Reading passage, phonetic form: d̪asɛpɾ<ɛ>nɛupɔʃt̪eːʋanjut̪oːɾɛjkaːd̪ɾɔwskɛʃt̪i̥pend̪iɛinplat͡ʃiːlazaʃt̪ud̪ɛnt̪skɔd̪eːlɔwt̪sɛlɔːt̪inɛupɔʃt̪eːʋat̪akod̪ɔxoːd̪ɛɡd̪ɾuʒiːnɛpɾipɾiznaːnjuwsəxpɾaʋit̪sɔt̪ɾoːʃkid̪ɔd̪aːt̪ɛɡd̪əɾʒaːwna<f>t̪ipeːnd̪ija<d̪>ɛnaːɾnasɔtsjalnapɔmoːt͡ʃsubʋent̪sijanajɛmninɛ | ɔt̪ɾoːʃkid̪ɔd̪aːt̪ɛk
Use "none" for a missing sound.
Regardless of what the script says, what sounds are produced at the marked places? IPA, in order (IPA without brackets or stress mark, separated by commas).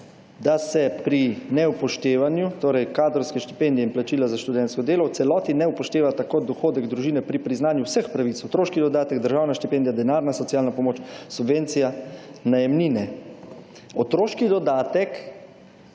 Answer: i, ʃ, d̪